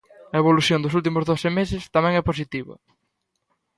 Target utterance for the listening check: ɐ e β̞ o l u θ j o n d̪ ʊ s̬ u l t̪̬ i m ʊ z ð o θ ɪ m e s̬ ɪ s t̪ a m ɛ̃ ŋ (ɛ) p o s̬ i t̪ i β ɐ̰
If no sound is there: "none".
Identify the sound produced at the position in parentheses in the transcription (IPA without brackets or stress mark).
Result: ɛ